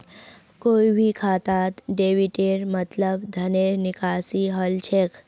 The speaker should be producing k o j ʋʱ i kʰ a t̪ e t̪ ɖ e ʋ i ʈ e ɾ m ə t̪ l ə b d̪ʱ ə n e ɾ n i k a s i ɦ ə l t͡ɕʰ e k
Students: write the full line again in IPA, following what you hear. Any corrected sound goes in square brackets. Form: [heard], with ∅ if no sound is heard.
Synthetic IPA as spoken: k o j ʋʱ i kʰ a t̪ [a] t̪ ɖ e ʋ i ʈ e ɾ m ə t̪ l ə b d̪ʱ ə n e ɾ n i k a s i ɦ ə l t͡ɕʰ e k